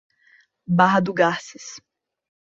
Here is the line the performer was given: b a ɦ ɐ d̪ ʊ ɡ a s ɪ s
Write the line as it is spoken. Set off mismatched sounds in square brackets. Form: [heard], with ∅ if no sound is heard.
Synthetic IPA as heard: b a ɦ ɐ d̪ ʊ ɡ a s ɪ s